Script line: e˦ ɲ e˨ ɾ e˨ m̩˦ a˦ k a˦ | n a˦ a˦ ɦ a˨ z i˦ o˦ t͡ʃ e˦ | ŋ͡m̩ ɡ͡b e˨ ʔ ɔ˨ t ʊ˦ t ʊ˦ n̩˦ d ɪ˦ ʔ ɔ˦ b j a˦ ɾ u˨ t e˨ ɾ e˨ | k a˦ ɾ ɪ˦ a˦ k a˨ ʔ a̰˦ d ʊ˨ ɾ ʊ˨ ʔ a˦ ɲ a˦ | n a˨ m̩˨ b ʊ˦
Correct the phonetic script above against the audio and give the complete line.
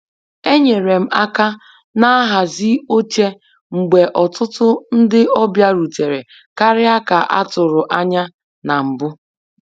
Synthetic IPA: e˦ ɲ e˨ ɾ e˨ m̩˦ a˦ k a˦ | n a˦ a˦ ɦ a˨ z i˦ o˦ t͡ʃ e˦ | ŋ͡m̩ ɡ͡b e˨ ʔ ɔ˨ t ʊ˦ t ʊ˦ n̩˦ d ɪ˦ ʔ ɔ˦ b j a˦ ɾ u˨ t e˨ ɾ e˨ | k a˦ ɾ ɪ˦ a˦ k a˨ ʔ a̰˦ t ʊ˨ ɾ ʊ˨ ʔ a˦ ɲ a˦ | n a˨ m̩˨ b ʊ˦

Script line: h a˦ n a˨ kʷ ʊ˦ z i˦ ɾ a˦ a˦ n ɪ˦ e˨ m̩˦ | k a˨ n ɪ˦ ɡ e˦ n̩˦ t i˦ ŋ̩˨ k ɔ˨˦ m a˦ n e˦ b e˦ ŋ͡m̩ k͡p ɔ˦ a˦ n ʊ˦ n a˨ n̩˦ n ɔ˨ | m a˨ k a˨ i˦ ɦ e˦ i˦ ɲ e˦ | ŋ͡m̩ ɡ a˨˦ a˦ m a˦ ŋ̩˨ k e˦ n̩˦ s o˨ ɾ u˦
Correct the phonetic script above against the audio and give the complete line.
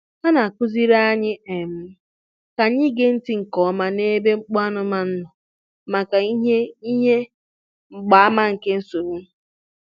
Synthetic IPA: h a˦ n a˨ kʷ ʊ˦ z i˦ ɾ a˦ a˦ ɲ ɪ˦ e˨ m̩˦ | k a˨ ɲ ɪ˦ ɡ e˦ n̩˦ t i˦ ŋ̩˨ k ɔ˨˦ m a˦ n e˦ b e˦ ŋ͡m̩ k͡p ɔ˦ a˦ n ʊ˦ m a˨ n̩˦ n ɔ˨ | m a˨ k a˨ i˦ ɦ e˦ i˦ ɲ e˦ | ŋ͡m̩ ɡ͡b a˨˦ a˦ m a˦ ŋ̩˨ k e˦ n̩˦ s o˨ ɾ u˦

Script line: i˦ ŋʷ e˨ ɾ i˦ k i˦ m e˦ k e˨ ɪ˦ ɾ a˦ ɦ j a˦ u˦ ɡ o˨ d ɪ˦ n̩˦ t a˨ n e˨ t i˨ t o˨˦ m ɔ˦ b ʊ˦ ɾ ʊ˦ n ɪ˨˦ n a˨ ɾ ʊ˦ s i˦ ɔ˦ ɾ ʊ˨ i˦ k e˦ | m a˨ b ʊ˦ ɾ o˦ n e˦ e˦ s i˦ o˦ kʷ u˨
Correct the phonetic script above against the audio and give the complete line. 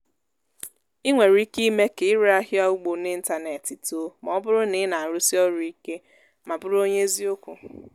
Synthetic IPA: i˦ ŋʷ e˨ ɾ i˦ k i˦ m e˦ k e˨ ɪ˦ ɾ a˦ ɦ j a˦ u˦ ɡ͡b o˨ n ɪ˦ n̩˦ t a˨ n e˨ t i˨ t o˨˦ m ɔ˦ b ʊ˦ ɾ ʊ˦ n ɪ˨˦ n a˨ ɾ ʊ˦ s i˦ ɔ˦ ɾ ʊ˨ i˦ k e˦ | m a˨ b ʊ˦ ɾ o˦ ɲ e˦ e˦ z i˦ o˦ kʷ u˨

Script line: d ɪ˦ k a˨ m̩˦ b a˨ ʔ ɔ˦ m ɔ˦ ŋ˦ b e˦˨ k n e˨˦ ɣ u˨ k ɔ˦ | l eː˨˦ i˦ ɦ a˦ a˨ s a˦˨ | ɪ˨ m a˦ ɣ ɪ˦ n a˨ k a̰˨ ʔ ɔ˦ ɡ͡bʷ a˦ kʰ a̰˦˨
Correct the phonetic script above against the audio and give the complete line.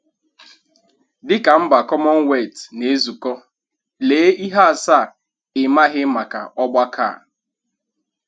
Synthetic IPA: d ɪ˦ k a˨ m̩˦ b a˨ k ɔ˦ m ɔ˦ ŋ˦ w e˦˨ t n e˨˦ z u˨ k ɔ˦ | l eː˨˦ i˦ ɦ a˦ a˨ s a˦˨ | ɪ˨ m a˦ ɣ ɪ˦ m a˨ k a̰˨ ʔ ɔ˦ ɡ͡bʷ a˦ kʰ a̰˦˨

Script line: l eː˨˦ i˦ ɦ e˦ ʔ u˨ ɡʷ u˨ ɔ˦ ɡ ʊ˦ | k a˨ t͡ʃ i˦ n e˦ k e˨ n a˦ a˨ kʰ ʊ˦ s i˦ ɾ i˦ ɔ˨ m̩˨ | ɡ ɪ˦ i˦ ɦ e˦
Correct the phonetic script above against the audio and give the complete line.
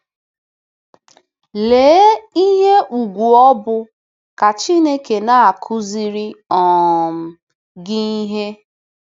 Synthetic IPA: l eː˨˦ i˦ ɦ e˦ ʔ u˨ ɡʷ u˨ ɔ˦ b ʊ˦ | k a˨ t͡ʃ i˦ n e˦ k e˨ n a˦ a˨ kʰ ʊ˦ z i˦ ɾ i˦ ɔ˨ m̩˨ | ɡ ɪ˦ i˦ ɦ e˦

